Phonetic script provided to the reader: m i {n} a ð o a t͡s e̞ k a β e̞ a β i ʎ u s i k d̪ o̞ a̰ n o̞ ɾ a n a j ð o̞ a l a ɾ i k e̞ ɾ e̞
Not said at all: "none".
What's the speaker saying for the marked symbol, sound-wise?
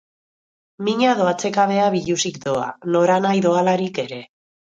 ɲ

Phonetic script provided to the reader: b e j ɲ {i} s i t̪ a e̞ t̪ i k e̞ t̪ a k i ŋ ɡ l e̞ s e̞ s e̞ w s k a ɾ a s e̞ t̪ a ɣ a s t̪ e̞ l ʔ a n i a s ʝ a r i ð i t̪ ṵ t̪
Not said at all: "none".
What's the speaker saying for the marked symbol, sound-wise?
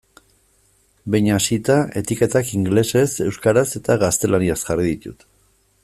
a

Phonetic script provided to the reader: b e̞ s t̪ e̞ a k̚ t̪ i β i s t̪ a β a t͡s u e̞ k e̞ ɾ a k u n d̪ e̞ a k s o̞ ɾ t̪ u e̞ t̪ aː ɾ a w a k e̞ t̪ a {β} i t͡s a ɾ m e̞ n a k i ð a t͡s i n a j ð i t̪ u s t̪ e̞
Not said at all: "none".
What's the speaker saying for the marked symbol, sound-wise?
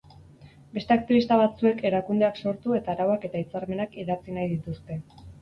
none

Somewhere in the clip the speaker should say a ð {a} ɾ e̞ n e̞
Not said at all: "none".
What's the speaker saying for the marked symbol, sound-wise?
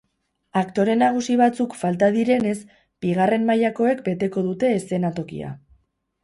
i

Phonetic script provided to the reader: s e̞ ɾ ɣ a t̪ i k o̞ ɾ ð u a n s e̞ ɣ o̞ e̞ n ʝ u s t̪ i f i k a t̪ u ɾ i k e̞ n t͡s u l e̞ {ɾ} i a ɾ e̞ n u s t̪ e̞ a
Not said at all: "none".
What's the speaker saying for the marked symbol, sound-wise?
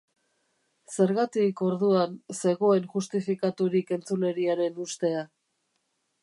ɾ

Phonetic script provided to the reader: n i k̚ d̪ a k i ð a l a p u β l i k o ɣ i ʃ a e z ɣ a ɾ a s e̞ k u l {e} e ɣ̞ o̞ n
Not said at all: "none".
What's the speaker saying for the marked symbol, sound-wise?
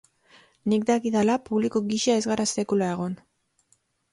a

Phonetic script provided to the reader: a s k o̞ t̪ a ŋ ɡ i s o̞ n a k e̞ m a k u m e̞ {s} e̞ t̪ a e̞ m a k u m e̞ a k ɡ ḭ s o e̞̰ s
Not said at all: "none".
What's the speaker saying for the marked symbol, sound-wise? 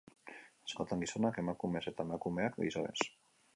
s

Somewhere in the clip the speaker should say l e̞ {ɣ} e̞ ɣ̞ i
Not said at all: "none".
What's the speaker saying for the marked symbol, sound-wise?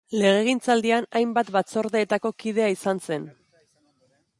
ɣ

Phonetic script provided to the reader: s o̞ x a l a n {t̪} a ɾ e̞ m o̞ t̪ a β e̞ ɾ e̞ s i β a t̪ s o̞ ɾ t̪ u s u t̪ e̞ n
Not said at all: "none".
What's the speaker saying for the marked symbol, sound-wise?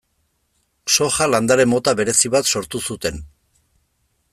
d̪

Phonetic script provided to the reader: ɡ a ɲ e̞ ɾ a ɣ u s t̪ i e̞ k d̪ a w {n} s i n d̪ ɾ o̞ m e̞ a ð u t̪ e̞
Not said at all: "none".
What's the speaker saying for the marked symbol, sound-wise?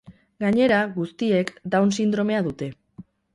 n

